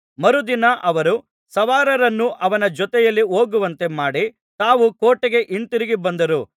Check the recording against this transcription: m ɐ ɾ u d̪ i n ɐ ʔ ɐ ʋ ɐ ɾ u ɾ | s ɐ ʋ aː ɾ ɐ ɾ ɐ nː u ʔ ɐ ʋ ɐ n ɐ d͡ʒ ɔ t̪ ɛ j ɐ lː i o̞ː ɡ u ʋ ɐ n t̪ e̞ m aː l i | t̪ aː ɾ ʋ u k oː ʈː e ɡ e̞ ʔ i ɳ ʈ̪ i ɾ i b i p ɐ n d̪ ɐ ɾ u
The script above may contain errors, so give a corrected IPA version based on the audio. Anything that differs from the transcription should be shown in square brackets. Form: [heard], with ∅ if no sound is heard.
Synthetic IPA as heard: m ɐ ɾ u d̪ i n ɐ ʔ ɐ ʋ ɐ ɾ u [∅] | s ɐ ʋ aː ɾ ɐ ɾ ɐ nː u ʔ ɐ ʋ ɐ n ɐ d͡ʒ ɔ t̪ ɛ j ɐ lː i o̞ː ɡ u ʋ ɐ n t̪ e̞ m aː [ɽ] i | t̪ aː [∅] ʋ u k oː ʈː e ɡ e̞ ʔ i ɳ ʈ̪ i ɾ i [ɡ] i [b] ɐ n d̪ ɐ ɾ u